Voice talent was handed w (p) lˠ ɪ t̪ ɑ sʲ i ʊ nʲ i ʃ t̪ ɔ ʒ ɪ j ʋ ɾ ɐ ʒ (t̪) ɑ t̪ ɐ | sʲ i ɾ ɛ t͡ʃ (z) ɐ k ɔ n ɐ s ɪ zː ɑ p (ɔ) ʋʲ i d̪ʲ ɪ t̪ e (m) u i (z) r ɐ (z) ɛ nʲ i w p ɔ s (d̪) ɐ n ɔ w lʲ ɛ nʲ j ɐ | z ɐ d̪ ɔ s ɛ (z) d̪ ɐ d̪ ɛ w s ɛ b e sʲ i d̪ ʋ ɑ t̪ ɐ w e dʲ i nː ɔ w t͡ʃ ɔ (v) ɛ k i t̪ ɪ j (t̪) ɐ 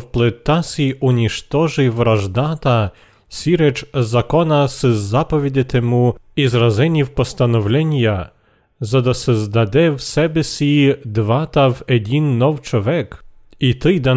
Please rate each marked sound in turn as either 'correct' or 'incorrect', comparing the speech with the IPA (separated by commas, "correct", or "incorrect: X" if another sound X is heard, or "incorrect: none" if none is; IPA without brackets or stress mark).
correct, incorrect: d̪, correct, correct, correct, correct, correct, incorrect: t̪, correct, incorrect: ʋ, incorrect: d̪